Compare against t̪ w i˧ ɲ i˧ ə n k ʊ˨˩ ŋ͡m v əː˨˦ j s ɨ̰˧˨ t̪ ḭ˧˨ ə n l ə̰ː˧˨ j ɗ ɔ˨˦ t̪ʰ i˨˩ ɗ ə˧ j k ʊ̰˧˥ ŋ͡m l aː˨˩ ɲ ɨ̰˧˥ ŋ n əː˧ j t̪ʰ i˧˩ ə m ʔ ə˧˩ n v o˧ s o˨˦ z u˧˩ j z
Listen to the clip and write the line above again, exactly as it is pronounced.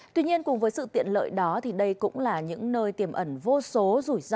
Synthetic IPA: t̪ w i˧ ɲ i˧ ə n k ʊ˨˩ ŋ͡m v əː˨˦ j s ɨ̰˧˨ t̪ ḭ˧˨ ə n l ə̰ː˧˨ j ɗ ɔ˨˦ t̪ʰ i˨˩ ɗ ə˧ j k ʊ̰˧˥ ŋ͡m l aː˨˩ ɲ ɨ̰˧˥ ŋ n əː˧ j t̪ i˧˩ ə m ʔ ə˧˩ n v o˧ s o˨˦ z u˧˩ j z